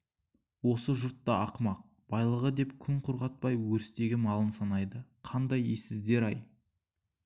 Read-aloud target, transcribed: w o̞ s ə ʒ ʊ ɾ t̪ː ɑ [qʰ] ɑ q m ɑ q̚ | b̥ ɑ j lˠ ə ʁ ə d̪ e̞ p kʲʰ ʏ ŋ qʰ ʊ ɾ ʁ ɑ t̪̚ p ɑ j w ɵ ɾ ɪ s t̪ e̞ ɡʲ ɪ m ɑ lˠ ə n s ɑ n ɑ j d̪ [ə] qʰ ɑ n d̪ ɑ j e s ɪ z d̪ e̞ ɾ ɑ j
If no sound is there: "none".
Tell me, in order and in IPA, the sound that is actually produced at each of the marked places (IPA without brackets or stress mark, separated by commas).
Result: none, ə